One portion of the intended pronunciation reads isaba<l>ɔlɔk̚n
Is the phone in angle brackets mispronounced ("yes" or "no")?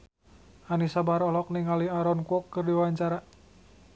yes